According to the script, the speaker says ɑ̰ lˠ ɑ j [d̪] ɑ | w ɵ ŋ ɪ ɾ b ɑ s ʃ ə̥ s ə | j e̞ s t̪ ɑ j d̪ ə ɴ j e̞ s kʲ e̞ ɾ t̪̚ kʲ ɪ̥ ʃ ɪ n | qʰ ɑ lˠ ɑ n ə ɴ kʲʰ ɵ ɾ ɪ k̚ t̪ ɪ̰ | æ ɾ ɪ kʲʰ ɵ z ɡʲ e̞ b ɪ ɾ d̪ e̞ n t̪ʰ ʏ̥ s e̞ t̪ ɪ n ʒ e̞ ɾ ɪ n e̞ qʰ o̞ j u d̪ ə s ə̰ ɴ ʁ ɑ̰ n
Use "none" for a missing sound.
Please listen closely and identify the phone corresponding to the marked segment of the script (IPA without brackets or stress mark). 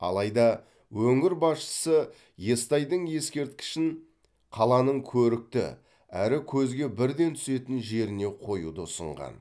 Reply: d̪